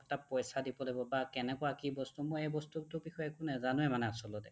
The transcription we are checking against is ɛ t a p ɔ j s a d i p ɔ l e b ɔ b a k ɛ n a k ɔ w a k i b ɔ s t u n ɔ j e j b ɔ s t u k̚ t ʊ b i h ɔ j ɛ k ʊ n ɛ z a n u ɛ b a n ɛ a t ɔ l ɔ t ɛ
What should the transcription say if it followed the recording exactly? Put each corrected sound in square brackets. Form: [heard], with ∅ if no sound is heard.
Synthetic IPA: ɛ t a p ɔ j s a d i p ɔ l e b ɔ b a k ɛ n [ɛ] k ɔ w a k i b ɔ s t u [m] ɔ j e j b ɔ s t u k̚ t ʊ b i [x] ɔ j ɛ k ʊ n ɛ z a n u ɛ [m] a n ɛ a [s] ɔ l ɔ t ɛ